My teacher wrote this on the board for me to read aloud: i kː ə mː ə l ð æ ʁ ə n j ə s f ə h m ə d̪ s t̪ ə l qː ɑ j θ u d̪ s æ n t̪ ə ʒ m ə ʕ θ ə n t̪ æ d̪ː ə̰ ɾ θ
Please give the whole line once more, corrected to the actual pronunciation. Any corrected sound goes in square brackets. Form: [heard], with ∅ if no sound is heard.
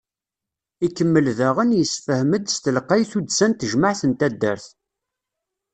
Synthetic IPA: i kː ə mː ə l ð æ ʁ ə n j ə s f ə h m ə d̪ s t̪ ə l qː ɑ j θ u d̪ s æ n t̪ ə ʒ m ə ʕ θ ə n t̪ æ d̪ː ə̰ ɾ θ